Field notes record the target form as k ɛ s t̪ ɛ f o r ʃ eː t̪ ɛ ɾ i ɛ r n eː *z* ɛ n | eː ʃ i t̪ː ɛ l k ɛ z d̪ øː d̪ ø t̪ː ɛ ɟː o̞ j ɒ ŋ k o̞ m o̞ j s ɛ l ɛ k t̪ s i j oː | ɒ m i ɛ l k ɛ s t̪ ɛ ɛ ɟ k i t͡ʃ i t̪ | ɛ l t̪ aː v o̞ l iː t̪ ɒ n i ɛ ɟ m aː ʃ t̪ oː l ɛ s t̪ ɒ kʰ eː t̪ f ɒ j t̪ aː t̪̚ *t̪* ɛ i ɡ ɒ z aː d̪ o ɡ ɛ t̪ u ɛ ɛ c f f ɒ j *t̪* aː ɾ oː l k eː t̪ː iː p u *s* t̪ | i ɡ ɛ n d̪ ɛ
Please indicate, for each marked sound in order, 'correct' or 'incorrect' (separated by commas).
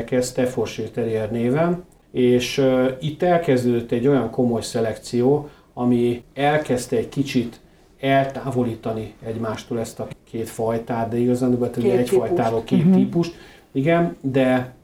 incorrect, incorrect, correct, incorrect